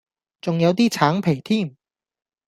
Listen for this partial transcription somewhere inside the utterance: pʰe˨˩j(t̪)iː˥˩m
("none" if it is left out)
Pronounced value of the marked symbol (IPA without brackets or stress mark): t̪ʰ